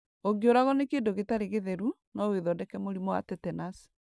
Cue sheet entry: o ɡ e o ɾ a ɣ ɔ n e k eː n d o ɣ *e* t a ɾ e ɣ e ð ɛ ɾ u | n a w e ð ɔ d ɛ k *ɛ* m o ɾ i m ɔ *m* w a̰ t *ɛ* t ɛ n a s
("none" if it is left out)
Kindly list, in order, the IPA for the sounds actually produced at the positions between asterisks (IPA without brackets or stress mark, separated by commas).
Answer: e, ɛ, none, ɛ